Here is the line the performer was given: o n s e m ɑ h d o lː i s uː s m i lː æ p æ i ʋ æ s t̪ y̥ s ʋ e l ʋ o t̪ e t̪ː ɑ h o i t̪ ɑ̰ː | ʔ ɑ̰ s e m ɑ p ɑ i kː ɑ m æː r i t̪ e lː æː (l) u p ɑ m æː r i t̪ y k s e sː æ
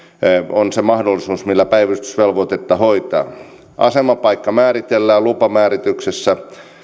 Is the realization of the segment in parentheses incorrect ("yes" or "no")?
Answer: no